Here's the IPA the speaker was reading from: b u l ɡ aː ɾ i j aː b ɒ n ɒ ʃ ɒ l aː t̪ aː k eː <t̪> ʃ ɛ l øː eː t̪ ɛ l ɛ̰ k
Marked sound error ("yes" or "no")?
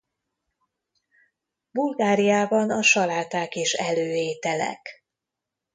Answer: yes